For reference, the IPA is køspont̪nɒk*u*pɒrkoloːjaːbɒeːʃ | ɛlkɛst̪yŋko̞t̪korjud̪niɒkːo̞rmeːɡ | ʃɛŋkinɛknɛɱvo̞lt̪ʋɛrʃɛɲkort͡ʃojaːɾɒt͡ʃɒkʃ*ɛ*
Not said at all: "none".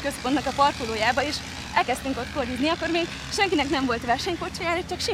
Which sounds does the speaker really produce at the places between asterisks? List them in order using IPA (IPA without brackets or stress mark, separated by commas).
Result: ɒ, i